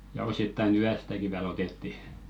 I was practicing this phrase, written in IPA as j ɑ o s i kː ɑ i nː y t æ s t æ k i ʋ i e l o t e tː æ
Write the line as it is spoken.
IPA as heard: j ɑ o s i tː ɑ i n y æ s t æ k i ʋ i æ l o t e tː i